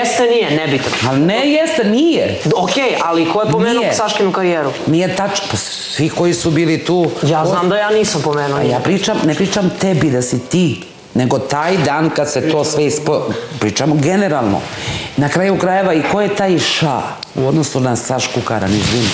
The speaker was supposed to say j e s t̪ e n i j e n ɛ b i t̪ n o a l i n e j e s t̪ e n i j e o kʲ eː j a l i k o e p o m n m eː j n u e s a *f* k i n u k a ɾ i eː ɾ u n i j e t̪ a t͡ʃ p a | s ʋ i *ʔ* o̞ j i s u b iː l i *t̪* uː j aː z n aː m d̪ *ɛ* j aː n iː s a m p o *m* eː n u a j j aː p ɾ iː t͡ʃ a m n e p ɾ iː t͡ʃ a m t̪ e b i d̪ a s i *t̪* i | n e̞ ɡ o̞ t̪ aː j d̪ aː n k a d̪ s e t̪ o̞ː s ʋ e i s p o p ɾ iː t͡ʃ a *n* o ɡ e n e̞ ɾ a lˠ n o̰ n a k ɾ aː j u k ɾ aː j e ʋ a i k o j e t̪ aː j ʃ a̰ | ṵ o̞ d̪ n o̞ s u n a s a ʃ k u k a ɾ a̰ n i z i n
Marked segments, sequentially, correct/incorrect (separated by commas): incorrect, incorrect, correct, incorrect, correct, correct, incorrect